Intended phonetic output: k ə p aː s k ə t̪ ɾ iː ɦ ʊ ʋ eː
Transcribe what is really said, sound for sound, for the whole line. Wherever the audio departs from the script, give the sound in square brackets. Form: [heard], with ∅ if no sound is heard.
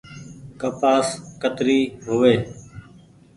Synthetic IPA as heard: k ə p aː s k ə t̪ ɾ iː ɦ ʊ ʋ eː